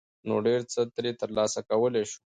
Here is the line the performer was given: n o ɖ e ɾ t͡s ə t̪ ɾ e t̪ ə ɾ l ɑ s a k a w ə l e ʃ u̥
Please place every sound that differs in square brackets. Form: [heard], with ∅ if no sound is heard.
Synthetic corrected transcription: n o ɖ e ɾ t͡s ə t̪ ɾ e t̪ ə ɾ l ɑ s a k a w ə l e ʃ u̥